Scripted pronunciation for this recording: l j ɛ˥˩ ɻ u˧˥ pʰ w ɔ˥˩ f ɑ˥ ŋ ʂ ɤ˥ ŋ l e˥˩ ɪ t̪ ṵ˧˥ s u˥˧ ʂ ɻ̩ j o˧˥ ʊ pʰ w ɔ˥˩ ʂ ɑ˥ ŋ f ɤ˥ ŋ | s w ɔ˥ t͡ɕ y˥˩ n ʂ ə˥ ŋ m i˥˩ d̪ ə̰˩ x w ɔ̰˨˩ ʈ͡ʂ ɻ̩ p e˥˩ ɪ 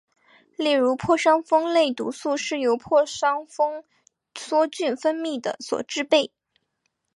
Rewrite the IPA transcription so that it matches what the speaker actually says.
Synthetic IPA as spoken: l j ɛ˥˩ ɻ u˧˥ pʰ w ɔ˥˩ ʂ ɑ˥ ŋ f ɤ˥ ŋ l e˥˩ ɪ t̪ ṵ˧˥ s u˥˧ ʂ ɻ̩ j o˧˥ ʊ pʰ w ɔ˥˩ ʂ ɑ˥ ŋ f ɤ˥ ŋ | s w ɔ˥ t͡ɕ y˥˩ n f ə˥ n m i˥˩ d̪ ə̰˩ s w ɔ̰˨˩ ʈ͡ʂ ɻ̩ p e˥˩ ɪ